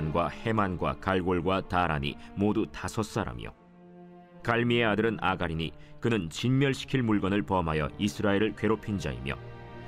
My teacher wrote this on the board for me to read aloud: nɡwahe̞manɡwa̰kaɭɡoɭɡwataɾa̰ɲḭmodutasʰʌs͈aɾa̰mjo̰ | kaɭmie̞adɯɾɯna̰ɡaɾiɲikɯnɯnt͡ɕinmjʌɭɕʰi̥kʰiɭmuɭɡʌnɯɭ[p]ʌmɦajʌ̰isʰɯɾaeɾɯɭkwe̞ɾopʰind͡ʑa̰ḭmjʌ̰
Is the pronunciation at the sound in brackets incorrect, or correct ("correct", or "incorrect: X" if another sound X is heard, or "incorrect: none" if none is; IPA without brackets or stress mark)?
correct